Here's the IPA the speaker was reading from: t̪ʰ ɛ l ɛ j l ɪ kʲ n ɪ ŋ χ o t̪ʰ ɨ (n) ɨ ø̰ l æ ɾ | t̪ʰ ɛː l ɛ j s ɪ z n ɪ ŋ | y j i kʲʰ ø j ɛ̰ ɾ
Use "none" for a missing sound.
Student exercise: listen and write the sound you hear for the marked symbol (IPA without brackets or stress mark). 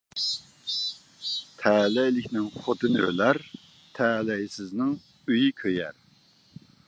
n